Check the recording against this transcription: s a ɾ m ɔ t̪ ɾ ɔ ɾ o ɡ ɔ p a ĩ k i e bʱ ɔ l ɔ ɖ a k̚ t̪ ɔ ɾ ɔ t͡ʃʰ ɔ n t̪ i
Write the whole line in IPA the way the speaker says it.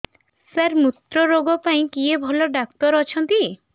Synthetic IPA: s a ɾ m u t̪ ɾ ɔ ɾ o ɡ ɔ p a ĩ k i e bʱ ɔ l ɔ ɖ a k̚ t̪ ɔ ɾ ɔ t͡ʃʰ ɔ n t̪ i